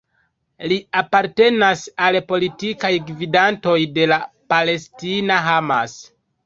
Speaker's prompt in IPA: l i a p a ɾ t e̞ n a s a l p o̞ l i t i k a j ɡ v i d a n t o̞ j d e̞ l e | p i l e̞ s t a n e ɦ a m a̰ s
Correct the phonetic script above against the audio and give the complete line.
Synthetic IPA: l i a p a ɾ t e̞ n a s a l p o̞ l i t i k a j ɡ v i d a n t o̞ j d e̞ l a | p a l e̞ s t i n a ɦ a m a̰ s